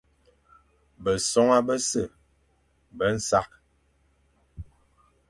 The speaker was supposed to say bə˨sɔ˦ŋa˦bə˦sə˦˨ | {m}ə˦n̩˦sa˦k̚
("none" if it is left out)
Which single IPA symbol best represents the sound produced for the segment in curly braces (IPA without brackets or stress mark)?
b